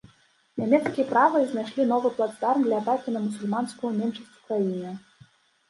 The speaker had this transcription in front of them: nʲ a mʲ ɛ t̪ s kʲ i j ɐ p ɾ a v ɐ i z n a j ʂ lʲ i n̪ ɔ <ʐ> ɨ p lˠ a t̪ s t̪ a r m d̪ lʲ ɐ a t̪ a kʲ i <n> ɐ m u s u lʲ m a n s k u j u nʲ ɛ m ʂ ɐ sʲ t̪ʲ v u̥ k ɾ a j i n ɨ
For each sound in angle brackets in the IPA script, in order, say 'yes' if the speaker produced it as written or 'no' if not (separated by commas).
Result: no, yes